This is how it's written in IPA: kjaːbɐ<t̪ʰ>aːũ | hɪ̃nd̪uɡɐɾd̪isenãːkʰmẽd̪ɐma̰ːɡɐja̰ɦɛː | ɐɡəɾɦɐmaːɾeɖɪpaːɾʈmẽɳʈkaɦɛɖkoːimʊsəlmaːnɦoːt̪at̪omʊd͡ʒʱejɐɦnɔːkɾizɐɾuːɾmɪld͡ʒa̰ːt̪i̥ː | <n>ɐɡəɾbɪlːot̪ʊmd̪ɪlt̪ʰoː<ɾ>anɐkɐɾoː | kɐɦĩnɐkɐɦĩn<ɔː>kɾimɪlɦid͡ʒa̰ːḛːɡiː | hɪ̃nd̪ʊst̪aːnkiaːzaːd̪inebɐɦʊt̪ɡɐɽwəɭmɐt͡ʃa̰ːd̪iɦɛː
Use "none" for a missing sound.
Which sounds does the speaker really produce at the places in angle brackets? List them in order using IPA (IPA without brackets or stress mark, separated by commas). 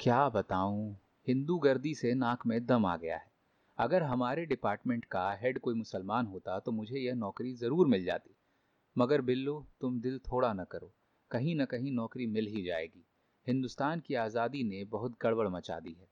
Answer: t̪, m, ɽ, ɔː